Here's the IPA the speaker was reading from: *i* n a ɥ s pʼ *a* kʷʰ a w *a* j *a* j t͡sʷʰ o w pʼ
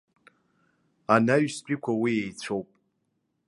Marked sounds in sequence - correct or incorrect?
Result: incorrect: a, incorrect: i, incorrect: i, incorrect: e

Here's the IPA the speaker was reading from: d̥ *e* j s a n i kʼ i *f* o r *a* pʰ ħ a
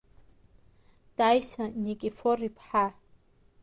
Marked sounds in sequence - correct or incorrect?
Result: incorrect: a, correct, incorrect: i

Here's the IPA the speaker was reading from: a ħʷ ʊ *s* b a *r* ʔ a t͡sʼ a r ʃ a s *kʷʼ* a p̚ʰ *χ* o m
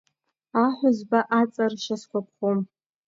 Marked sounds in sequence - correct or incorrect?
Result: incorrect: z, incorrect: none, incorrect: kʷ, correct

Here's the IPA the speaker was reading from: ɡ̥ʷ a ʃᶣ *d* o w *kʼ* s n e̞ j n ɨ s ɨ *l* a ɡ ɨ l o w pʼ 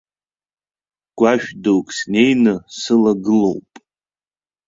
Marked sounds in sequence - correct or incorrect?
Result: correct, correct, correct

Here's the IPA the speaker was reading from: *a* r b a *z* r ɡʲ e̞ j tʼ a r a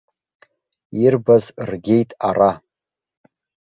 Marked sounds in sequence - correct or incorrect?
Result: incorrect: i, correct

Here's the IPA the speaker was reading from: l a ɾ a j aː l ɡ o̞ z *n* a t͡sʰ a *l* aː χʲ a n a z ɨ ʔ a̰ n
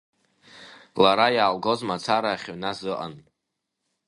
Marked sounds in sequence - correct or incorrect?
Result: incorrect: m, incorrect: ɾ

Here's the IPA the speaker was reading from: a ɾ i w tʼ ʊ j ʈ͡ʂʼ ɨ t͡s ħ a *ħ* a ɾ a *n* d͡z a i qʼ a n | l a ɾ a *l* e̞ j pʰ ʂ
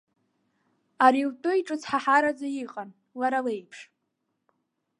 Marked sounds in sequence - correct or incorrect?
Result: correct, incorrect: none, correct

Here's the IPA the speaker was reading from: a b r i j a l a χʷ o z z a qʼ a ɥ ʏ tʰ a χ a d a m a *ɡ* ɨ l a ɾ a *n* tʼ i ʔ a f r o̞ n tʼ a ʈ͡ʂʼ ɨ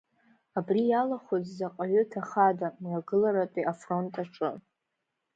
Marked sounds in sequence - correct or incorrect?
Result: correct, incorrect: none

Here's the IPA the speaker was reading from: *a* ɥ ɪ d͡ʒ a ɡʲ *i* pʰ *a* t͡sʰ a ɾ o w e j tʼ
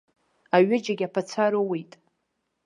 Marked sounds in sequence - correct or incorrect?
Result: correct, incorrect: a, correct

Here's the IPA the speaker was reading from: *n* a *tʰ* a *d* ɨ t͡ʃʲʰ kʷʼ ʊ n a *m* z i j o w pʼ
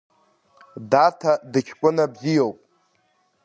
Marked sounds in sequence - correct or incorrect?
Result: incorrect: d, correct, correct, incorrect: b

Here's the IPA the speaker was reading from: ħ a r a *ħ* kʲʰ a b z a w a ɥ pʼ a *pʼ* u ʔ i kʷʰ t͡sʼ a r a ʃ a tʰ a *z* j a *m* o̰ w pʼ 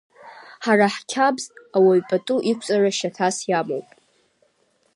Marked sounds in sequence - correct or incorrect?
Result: correct, incorrect: tʼ, incorrect: s, correct

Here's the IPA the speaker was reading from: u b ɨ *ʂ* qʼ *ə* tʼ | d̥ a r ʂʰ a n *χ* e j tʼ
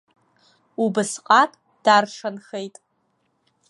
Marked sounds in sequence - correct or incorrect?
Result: incorrect: s, incorrect: a, correct

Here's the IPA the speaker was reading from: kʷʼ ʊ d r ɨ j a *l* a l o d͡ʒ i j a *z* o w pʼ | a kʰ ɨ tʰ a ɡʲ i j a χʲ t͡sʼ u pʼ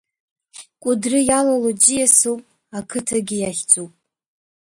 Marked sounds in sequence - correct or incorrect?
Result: correct, incorrect: s

